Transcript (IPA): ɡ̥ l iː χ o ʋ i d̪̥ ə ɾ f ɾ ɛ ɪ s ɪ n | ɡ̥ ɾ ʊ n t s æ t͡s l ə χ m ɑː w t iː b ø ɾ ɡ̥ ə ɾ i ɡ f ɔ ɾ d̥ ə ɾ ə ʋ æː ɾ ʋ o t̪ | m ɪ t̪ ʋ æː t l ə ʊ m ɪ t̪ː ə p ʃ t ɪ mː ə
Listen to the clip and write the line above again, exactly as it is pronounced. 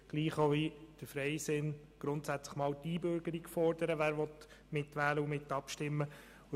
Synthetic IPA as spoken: ɡ̥ l iː χ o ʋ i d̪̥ ə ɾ f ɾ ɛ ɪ s ɪ n | ɡ̥ ɾ ʊ n t s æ t͡s l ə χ m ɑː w t iː b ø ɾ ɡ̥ ə ɾ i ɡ f ɔ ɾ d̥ ə ɾ ə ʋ æː ɾ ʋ ɔ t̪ | m ɪ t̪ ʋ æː l ə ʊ m ɪ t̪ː ɑ p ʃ t ɪ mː ə